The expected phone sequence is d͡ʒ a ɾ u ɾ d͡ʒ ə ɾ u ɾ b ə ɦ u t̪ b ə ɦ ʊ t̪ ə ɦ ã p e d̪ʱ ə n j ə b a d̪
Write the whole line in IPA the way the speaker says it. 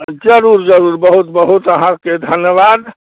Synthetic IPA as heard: d͡ʒ ə ɾ u ɾ d͡ʒ ə ɾ u ɾ b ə ɦ u t̪ b ə ɦ u t̪ ə ɦ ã k e d̪ʱ ə n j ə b a d̪